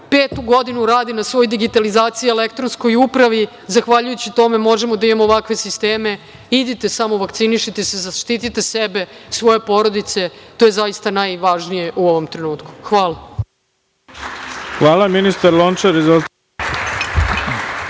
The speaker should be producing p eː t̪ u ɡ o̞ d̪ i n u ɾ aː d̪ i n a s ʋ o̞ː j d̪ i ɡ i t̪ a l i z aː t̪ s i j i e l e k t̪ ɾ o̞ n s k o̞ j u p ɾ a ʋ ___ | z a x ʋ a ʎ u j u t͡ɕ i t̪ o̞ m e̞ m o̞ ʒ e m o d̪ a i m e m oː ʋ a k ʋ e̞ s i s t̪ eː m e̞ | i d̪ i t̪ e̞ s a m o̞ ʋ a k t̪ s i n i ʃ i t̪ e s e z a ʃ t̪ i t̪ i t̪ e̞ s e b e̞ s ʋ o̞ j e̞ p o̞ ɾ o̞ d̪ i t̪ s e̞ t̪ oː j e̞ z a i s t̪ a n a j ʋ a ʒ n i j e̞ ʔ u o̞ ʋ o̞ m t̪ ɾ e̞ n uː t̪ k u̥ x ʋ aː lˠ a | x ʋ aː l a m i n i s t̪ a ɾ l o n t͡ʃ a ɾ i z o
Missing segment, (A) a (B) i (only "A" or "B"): B